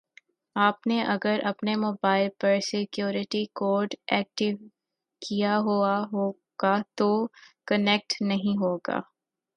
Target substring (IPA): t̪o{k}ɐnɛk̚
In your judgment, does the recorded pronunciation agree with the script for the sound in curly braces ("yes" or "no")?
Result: yes